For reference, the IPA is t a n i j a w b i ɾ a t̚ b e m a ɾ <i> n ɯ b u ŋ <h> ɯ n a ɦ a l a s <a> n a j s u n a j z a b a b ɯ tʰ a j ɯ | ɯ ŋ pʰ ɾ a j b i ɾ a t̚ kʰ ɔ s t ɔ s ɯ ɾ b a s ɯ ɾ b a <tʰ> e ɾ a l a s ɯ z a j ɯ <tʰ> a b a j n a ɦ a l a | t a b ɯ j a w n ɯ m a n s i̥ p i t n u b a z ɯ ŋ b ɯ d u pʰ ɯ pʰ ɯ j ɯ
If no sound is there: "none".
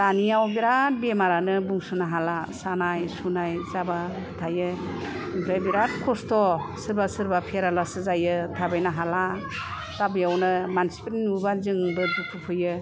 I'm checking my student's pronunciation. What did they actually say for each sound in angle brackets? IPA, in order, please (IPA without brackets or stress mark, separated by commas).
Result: a, s, a, pʰ, tʰ